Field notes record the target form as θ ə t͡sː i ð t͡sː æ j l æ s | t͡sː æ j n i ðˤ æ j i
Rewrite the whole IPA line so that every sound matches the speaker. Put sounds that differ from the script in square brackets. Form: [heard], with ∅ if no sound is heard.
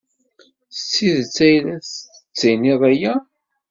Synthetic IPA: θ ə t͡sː i ð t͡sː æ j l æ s | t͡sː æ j n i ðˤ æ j [æ]